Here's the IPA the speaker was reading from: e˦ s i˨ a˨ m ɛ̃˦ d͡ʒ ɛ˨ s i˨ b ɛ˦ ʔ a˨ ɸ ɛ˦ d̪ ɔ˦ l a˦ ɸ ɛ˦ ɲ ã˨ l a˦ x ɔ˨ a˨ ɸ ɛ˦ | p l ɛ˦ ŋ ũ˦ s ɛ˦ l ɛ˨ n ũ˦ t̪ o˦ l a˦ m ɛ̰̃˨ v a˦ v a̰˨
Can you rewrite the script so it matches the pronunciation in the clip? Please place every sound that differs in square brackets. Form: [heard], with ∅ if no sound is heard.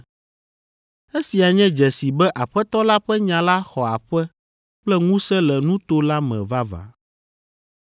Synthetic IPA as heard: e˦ s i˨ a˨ [ɲ] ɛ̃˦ d͡ʒ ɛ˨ s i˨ b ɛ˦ ʔ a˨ ɸ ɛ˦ [t̪] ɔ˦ l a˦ ɸ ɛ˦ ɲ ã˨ l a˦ x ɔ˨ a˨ ɸ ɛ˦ | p l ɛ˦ ŋ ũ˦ s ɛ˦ l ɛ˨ n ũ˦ t̪ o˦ l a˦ m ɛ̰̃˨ v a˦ v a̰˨

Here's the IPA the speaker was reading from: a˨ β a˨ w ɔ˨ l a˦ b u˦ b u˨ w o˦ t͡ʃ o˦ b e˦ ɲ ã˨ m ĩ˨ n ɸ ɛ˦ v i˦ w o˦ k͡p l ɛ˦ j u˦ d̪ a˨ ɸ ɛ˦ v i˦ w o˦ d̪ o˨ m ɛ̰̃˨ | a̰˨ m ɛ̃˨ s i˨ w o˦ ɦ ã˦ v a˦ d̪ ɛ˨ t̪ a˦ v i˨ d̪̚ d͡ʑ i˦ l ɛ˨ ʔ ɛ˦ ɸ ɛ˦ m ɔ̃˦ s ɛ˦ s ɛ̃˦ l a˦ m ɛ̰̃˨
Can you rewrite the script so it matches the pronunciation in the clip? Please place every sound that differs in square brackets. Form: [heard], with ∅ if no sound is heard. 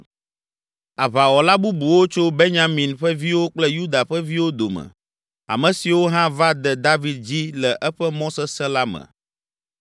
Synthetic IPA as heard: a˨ β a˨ w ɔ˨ l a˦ b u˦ b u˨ w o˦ t͡ʃ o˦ b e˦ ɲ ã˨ m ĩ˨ n ɸ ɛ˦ v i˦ w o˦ k͡p l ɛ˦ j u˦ d̪ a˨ ɸ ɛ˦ v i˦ w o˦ d̪ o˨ m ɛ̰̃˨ | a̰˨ m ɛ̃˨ s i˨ w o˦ ɦ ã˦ v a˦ d̪ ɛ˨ [d̪] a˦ v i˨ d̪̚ d͡ʑ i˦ l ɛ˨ ʔ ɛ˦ ɸ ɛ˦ m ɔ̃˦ s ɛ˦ s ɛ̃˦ l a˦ m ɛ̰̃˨

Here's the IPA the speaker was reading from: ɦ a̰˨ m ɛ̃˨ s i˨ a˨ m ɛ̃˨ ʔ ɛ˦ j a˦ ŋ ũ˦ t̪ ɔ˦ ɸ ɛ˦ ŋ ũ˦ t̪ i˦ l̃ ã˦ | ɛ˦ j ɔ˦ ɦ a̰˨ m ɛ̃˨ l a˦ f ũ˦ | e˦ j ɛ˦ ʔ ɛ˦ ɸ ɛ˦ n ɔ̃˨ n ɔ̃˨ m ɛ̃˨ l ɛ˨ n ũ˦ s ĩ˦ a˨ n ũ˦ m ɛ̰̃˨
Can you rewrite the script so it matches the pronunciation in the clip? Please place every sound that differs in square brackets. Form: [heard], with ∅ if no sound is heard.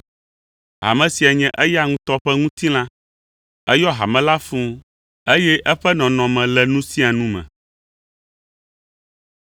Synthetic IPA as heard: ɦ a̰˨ m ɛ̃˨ s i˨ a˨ [ɲ] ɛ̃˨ ʔ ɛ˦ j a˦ ŋ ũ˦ t̪ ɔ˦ ɸ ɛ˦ ŋ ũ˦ t̪ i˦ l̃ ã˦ | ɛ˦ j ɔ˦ ɦ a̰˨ m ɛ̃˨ l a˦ f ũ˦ | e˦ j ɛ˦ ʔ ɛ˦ ɸ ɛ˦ n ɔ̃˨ n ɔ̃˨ m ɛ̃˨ l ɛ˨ n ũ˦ s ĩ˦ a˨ n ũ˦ m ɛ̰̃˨

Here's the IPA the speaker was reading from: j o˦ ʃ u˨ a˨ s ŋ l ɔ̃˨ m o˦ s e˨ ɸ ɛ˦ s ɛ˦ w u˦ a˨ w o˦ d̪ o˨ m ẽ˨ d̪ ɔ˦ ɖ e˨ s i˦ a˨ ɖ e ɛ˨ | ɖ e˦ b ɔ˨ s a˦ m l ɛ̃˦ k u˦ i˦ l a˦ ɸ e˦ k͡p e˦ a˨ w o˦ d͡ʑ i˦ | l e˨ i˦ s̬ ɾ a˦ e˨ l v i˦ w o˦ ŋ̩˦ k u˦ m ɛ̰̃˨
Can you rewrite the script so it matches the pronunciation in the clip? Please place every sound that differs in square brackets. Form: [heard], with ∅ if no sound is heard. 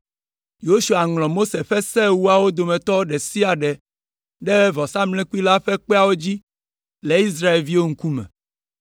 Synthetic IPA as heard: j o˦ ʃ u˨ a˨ [∅] ŋ l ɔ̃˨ m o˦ s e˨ ɸ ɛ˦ s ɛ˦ w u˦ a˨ w o˦ d̪ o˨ m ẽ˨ [t̪] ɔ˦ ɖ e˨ s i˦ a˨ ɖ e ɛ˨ | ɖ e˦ [v] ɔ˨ s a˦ m l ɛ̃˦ k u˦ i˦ l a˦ ɸ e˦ k͡p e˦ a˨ w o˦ d͡ʑ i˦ | l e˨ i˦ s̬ ɾ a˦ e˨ l v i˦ w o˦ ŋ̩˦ k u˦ m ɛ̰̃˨

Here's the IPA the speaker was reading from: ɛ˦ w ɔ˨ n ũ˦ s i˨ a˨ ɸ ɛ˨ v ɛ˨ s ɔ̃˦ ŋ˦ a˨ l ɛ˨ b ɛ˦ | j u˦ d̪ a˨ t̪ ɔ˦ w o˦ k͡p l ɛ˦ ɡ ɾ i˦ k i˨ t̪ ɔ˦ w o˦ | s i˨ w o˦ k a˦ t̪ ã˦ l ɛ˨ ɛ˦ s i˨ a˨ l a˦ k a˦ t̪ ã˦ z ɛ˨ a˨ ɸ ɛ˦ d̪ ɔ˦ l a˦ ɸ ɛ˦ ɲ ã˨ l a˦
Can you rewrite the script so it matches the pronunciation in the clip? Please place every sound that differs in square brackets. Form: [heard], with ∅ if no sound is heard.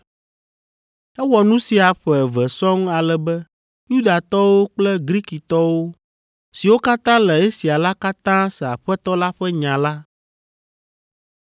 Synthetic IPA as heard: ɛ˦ w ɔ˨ n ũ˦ s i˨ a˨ ɸ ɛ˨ v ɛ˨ s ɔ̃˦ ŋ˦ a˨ l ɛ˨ b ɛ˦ | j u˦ d̪ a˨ t̪ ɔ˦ w o˦ k͡p l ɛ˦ ɡ ɾ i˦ k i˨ t̪ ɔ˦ w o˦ | s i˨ w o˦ k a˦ t̪ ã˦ l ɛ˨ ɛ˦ s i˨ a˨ l a˦ k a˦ t̪ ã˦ [s] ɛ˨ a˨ ɸ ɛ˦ [t̪] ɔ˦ l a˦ ɸ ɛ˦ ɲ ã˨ l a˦

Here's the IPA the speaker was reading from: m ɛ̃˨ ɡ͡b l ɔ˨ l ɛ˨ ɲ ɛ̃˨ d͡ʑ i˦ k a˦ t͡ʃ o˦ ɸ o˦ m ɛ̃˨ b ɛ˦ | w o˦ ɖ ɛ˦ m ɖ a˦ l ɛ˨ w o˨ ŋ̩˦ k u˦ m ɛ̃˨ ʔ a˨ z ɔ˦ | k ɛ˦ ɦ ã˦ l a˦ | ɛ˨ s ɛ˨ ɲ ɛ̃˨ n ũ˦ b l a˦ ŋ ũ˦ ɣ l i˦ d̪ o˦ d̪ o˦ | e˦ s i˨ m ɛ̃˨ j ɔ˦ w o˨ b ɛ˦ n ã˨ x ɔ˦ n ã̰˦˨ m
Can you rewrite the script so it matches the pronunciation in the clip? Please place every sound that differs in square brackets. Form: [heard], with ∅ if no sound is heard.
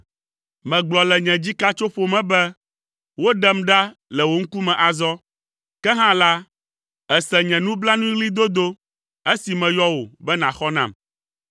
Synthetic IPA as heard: m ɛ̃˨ ɡ͡b l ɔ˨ l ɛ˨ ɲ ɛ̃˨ d͡ʑ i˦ k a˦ t͡ʃ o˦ ɸ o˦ m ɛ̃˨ b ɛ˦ | w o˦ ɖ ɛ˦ m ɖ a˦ l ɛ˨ w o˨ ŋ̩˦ k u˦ m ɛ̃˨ ʔ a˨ z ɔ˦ | k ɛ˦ ɦ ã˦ l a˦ | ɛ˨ s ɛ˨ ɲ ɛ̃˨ n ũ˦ b l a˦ [n] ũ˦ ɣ l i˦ d̪ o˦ d̪ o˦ | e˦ s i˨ m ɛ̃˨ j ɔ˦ w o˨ b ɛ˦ n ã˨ x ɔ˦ n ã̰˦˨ m

